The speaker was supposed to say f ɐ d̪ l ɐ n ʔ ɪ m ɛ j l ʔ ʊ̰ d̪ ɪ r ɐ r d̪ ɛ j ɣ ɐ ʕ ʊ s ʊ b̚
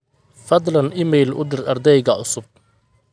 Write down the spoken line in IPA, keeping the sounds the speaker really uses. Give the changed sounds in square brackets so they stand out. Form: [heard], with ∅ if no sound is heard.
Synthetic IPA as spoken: f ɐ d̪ l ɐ n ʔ ɪ m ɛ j l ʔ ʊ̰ d̪ ɪ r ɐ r d̪ ɛ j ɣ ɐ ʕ ʊ s ʊ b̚